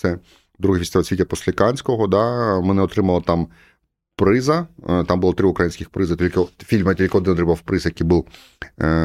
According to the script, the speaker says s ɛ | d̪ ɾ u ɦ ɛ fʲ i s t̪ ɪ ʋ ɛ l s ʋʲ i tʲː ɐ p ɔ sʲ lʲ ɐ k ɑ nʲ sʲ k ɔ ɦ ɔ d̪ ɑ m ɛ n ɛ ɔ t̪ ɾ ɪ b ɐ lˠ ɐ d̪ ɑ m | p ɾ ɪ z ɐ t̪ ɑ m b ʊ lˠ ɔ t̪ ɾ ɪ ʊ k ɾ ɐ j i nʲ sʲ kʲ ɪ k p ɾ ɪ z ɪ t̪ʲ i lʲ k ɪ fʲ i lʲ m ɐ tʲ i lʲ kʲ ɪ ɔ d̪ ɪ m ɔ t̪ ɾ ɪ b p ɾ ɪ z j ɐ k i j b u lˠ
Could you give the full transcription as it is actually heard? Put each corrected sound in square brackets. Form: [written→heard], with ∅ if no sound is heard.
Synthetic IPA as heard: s ɛ | d̪ ɾ u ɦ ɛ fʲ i s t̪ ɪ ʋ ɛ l s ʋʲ i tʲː ɐ p ɔ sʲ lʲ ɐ k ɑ nʲ sʲ k ɔ ɦ ɔ d̪ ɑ m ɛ n ɛ ɔ t̪ ɾ ɪ [b→m] ɐ lˠ ɐ [d̪→t̪] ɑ m | p ɾ ɪ z ɐ t̪ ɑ m b ʊ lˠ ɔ t̪ ɾ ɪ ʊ k ɾ ɐ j i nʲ sʲ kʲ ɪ [k→x] p ɾ ɪ z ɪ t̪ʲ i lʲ k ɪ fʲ i lʲ m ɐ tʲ i lʲ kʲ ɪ ɔ d̪ ɪ [m→n] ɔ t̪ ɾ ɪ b p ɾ ɪ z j ɐ k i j b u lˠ